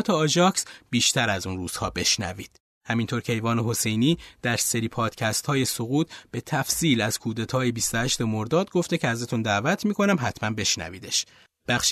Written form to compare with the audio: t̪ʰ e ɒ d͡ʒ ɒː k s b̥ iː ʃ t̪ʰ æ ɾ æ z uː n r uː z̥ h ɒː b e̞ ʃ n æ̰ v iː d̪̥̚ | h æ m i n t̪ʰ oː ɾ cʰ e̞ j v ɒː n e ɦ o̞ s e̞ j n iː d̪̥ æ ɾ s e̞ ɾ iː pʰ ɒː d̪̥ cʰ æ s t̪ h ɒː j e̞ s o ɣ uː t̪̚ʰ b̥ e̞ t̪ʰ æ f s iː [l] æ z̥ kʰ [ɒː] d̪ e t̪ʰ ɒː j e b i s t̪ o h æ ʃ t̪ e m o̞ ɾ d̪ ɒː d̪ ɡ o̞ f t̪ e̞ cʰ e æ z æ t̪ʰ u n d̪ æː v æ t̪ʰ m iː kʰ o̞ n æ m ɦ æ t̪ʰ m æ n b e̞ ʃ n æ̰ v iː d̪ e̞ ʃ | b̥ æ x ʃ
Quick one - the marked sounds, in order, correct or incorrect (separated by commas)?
correct, incorrect